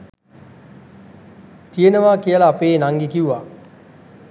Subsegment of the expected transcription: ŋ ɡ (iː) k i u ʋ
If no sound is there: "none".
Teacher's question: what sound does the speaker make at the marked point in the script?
i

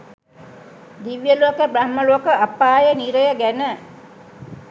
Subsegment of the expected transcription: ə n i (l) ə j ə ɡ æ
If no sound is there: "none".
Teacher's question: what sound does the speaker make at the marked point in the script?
ɾ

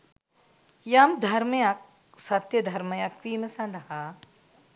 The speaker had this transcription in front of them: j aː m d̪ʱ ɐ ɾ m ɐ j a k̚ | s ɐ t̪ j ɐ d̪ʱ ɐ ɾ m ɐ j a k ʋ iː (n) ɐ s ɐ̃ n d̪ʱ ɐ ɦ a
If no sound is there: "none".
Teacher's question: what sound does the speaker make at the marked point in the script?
m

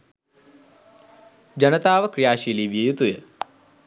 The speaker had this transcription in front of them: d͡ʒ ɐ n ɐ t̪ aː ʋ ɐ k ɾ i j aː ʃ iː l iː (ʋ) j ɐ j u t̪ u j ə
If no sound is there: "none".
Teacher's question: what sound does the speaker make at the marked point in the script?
ʋ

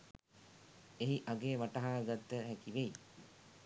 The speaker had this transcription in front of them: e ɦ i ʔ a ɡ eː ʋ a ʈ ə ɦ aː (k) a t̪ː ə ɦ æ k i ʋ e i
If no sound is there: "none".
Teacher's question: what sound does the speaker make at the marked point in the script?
ɡ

